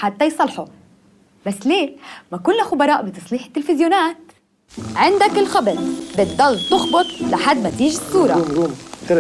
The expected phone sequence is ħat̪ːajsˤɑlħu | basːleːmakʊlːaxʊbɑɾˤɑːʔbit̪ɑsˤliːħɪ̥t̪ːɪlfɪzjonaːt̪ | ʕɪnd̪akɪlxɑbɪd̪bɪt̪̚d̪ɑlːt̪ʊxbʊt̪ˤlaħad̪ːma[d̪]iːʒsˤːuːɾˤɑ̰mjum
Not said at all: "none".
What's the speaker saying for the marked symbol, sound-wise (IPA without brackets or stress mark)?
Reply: t̪